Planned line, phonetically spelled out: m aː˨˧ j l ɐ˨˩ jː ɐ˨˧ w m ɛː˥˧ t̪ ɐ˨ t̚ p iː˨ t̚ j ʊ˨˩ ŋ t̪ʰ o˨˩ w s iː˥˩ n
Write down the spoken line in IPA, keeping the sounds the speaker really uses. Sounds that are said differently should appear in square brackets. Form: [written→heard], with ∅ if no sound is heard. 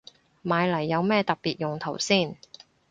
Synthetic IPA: m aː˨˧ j l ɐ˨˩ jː ɐ˨˧ w m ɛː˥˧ t̪ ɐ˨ [t̚→k̚] p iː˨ t̚ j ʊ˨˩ ŋ t̪ʰ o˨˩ w s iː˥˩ n